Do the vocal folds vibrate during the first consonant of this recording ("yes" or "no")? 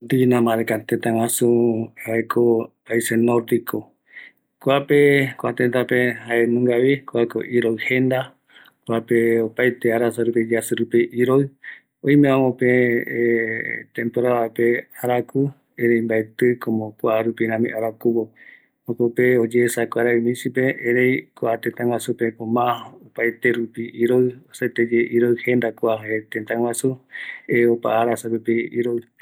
yes